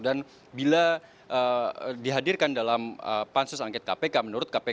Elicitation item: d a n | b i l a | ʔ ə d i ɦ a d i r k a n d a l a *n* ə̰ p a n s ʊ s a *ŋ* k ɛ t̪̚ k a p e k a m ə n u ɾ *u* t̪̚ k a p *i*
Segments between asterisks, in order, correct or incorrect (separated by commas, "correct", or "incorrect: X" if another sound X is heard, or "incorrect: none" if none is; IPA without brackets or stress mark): incorrect: m, correct, incorrect: ʊ, incorrect: e